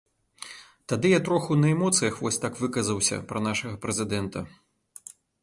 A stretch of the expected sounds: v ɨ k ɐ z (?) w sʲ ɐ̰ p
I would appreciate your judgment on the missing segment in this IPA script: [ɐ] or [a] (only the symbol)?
ɐ